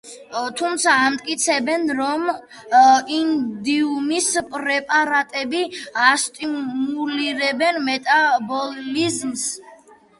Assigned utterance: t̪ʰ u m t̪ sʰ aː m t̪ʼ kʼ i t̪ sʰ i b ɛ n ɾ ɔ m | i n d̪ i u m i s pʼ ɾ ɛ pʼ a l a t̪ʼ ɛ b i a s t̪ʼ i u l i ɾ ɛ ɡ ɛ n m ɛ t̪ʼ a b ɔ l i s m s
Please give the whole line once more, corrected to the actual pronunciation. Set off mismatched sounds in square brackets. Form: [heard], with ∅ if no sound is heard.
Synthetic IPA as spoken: t̪ʰ u m t̪ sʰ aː m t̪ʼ kʼ i t̪ sʰ [ɛ] b ɛ n ɾ ɔ m | i n d̪ i u m i s pʼ ɾ ɛ pʼ a [ɾ] a t̪ʼ ɛ b i a s t̪ʼ i u l i ɾ ɛ [b] ɛ n m ɛ t̪ʼ a b ɔ l i [z] m s